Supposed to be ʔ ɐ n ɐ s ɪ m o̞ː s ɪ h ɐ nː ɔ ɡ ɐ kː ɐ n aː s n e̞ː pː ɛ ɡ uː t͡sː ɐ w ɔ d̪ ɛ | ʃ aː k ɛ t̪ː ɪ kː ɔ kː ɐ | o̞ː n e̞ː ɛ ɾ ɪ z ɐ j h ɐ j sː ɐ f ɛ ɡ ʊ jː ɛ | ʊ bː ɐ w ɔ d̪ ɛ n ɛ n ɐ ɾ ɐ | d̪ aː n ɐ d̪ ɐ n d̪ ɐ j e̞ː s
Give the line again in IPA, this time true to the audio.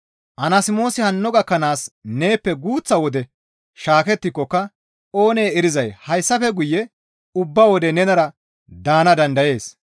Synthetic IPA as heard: ʔ ɐ n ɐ s ɪ m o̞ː s ɪ h ɐ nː ɔ ɡ ɐ kː ɐ n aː s n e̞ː pː ɛ ɡ uː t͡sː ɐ w ɔ d̪ ɛ | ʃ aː k ɛ t̪ː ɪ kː ɔ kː ɐ | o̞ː n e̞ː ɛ ɾ ɪ z ɐ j h ɐ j sː ɐ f ɛ ɡ ʊ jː ɛ | ʊ bː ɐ w ɔ d̪ ɛ n ɛ n ɐ ɾ ɐ | d̪ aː n ɐ d̪ ɐ n d̪ ɐ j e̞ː s